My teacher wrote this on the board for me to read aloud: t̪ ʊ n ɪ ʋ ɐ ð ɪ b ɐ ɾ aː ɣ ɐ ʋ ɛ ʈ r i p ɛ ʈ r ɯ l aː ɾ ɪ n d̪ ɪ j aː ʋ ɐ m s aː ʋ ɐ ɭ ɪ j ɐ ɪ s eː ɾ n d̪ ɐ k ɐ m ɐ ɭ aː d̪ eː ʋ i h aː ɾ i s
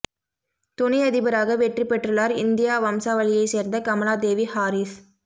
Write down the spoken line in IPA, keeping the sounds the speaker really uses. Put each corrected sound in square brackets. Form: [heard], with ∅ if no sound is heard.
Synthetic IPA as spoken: t̪ ʊ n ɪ [∅] ɐ ð ɪ b ɐ ɾ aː ɣ ɐ ʋ ɛ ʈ r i p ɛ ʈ r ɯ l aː ɾ ɪ n d̪ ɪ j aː ʋ ɐ m s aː ʋ ɐ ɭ ɪ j ɐ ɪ s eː ɾ n d̪ ɐ k ɐ m ɐ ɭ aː d̪ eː ʋ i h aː ɾ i s